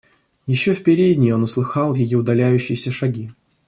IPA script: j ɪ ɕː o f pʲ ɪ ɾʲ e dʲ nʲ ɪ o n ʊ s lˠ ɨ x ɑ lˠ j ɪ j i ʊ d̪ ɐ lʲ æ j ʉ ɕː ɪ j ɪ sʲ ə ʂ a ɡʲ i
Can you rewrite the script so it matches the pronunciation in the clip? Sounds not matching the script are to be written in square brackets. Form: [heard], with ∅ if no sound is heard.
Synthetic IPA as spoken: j ɪ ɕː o f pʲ ɪ ɾʲ e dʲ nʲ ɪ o n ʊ s lˠ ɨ x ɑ lˠ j ɪ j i ʊ d̪ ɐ lʲ æ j ʉ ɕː ɪ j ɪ sʲ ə ʂ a ɡʲ i